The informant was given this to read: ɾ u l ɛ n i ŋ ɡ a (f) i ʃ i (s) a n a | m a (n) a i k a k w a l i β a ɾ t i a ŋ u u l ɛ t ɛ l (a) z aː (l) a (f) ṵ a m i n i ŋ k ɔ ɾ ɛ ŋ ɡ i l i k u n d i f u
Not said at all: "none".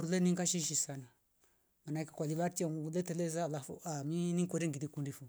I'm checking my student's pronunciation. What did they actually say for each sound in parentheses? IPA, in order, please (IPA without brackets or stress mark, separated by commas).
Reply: ʃ, s, n, ɛ, l, f